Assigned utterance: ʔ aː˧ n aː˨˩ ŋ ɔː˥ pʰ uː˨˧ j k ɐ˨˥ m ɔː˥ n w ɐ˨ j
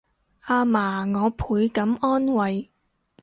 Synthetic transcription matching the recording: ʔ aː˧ m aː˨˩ ŋ ɔː˨˧ pʰ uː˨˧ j k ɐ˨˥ m ɔː˥ n w ɐ˨ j